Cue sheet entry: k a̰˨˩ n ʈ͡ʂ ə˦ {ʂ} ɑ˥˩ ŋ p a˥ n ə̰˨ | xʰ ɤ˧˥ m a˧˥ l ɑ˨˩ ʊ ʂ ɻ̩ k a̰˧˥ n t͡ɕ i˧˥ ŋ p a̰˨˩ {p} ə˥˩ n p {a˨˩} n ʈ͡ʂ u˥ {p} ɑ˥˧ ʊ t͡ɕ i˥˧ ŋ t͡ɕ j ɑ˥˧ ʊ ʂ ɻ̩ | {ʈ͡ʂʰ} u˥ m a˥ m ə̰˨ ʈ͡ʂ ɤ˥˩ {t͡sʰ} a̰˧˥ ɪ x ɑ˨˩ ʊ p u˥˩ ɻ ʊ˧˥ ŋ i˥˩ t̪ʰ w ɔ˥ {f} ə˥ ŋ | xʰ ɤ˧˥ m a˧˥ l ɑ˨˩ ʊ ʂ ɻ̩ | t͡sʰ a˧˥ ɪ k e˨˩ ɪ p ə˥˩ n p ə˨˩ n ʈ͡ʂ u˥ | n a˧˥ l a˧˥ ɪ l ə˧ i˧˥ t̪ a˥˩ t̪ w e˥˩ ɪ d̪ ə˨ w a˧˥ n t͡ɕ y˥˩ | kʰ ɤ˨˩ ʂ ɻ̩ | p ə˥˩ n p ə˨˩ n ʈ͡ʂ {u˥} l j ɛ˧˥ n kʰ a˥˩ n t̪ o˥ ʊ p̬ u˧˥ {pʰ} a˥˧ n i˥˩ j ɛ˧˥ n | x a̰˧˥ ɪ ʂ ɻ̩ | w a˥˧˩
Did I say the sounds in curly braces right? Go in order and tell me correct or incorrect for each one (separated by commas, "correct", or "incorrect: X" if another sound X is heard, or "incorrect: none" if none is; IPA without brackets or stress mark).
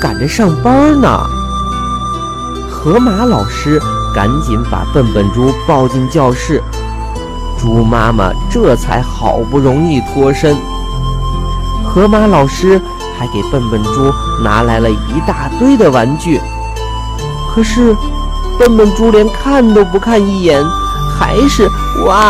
correct, correct, incorrect: ə˨˩, correct, incorrect: ʈ͡ʂ, correct, incorrect: ʂ, correct, incorrect: kʰ